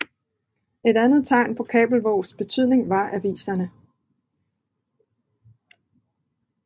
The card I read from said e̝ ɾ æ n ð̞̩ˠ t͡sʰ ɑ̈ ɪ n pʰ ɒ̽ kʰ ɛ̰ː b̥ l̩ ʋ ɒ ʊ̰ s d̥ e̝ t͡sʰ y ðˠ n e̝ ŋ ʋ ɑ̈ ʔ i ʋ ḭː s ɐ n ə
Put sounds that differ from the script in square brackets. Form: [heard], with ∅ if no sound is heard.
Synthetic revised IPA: e̝ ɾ æ n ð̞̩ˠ t͡sʰ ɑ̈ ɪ n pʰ ɒ̽ kʰ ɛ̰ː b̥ l̩ ʋ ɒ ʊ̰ s [b̥] e̝ t͡sʰ y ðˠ n e̝ ŋ ʋ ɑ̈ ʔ [æ] ʋ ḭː s ɐ n ə

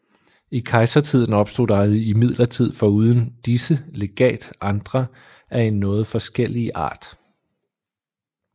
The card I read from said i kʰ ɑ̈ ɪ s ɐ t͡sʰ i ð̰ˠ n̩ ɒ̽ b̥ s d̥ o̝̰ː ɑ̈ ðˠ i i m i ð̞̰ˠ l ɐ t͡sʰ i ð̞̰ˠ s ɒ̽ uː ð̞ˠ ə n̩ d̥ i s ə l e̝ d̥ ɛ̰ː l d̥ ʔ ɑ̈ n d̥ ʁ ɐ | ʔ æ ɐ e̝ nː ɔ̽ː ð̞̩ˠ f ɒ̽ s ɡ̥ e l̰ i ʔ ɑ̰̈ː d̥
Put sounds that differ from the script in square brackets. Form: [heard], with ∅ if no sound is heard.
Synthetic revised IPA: i kʰ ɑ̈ ɪ s ɐ t͡sʰ i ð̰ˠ n̩ ɒ̽ b̥ s d̥ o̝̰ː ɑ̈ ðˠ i i m i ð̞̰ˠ l ɐ t͡sʰ i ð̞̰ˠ [f] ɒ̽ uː ð̞ˠ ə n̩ d̥ i s ə l e̝ [ɡ̥] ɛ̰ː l d̥ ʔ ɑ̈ n d̥ ʁ ɐ | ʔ æ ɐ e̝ nː ɔ̽ː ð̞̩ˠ f ɒ̽ s ɡ̥ e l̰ i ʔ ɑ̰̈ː d̥

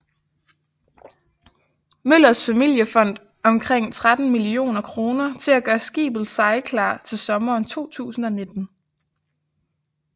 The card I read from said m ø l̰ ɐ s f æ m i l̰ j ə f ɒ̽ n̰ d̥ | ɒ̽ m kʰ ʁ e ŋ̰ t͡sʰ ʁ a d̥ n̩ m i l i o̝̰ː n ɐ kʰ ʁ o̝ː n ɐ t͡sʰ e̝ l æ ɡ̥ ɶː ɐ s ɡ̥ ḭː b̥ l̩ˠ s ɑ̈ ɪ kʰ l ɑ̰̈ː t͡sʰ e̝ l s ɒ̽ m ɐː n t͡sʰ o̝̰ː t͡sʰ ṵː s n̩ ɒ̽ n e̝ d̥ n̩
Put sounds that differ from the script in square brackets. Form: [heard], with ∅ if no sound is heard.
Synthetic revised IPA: m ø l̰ ɐ s f æ m i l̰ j ə f ɒ̽ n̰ d̥ | ɒ̽ m kʰ ʁ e ŋ̰ t͡sʰ ʁ a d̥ n̩ m i l i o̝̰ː n ɐ kʰ ʁ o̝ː n ɐ t͡sʰ e̝ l æ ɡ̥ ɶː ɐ s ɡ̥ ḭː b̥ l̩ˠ s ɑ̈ ɪ kʰ l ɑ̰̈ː t͡sʰ e̝ l s ɒ̽ m ɐː n t͡sʰ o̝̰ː t͡sʰ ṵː s n̩ ɒ̽ n e̝ d̥ n̩

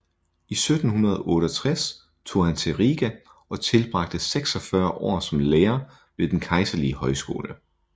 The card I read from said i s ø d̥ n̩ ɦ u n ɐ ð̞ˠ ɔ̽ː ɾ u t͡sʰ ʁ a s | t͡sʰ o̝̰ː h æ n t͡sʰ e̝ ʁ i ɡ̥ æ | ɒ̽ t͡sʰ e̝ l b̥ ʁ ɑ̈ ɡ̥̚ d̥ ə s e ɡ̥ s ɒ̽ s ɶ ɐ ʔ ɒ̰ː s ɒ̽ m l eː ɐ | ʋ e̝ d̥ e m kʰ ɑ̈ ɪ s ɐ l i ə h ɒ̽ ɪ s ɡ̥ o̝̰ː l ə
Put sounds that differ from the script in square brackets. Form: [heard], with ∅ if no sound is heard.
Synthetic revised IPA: i s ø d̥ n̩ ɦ u n ɐ ð̞ˠ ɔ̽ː ɾ [ɒ] t͡sʰ ʁ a s | t͡sʰ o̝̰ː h æ n t͡sʰ e̝ ʁ i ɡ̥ æ | ɒ̽ t͡sʰ e̝ l b̥ ʁ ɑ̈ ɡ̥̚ d̥ ə s e ɡ̥ s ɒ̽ [f] ɶ ɐ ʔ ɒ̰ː s ɒ̽ m l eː ɐ | ʋ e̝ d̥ e [n] kʰ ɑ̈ ɪ s ɐ l i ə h ɒ̽ ɪ s ɡ̥ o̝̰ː l ə

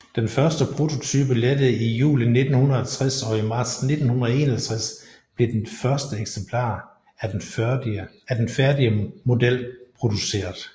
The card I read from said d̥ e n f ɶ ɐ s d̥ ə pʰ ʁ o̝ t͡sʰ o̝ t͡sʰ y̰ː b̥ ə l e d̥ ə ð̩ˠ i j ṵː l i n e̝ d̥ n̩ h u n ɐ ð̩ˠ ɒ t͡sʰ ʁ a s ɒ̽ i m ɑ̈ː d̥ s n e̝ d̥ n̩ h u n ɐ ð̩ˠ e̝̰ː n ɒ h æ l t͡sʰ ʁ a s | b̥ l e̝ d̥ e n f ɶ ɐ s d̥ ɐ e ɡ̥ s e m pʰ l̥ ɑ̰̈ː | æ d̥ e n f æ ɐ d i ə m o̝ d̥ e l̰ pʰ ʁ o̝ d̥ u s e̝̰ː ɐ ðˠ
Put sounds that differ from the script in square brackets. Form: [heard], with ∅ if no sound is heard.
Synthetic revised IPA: d̥ e n f ɶ ɐ s d̥ ə pʰ ʁ o̝ t͡sʰ o̝ t͡sʰ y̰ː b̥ ə l e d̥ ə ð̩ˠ i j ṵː l i n e̝ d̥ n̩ h u n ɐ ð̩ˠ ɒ t͡sʰ ʁ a s ɒ̽ i m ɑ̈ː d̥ s n e̝ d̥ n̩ h u n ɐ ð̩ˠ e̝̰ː n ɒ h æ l t͡sʰ ʁ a s | b̥ l e̝ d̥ e n f ɶ ɐ s d̥ [ə] e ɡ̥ s e m pʰ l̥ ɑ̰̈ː | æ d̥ e n f æ ɐ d i ə m o̝ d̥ e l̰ pʰ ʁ o̝ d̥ u s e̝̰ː ɐ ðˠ

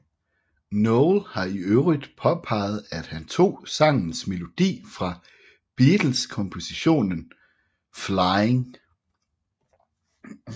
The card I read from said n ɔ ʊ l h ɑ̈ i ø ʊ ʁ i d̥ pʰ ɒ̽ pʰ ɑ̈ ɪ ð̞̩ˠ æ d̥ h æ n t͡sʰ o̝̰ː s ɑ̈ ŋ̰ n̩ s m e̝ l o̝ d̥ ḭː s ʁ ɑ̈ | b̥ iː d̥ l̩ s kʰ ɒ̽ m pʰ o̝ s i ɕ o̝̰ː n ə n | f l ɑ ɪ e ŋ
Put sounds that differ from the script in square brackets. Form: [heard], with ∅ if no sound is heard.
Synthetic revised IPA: n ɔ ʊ l h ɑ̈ i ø ʊ ʁ i d̥ pʰ ɒ̽ pʰ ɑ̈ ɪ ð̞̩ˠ æ d̥ h æ n t͡sʰ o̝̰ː s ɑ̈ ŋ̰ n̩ s m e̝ l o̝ d̥ ḭː [f] ʁ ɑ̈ | b̥ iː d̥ l̩ s kʰ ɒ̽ m pʰ o̝ s i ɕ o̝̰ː n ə n | f l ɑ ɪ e ŋ

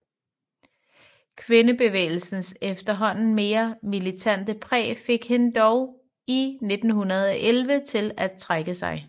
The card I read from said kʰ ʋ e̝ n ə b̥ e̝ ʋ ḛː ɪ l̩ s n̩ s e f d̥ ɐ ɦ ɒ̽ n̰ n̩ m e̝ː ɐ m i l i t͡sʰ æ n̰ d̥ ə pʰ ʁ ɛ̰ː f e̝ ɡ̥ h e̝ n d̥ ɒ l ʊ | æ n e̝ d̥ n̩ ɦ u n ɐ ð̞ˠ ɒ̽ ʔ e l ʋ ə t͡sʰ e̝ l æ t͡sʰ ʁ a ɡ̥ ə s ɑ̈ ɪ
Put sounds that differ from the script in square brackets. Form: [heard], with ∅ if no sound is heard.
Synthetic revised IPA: kʰ ʋ e̝ n ə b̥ e̝ ʋ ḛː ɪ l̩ s n̩ s e f d̥ ɐ ɦ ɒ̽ n̰ n̩ m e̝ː ɐ m i l i t͡sʰ æ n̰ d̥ ə pʰ ʁ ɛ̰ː f e̝ ɡ̥ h e̝ n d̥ ɒ [∅] ʊ | [i] n e̝ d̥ n̩ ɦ u n ɐ ð̞ˠ ɒ̽ ʔ e l ʋ ə t͡sʰ e̝ l æ t͡sʰ ʁ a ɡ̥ ə s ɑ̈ ɪ

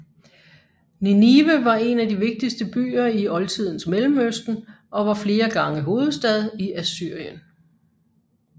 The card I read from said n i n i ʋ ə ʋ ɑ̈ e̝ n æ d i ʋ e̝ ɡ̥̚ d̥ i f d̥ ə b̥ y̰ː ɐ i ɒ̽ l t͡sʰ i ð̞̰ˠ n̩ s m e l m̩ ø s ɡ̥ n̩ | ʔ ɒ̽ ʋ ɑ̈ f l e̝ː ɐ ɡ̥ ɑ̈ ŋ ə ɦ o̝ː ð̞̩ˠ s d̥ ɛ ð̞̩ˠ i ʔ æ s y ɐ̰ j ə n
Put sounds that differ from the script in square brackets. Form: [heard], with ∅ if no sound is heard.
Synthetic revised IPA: n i n i ʋ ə ʋ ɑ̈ e̝ n æ d i ʋ e̝ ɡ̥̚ d̥ i [s] d̥ ə b̥ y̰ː ɐ i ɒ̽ l t͡sʰ i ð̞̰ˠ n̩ s m e l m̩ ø s [d̥] n̩ | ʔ ɒ̽ ʋ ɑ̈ f l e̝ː ɐ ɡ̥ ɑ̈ ŋ ə ɦ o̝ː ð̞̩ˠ s d̥ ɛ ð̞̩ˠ i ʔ æ s y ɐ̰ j ə n

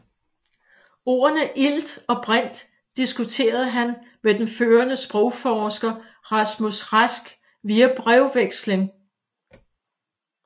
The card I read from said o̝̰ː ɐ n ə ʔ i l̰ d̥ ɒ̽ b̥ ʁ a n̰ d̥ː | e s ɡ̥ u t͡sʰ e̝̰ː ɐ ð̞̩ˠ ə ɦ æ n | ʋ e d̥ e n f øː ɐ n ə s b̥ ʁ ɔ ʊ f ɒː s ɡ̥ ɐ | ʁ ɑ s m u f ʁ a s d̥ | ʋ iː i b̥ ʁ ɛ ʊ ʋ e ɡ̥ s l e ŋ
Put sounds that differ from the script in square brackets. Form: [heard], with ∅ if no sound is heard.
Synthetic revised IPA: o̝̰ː ɐ n ə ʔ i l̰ d̥ ɒ̽ b̥ ʁ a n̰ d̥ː | [i] s ɡ̥ u t͡sʰ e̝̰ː ɐ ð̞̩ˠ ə ɦ æ n | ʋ e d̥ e n f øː ɐ n ə s b̥ ʁ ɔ ʊ f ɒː s ɡ̥ ɐ | ʁ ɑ s m u [s] ʁ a s [ɡ̥] | ʋ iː [æ] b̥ ʁ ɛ ʊ ʋ e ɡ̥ s l e ŋ

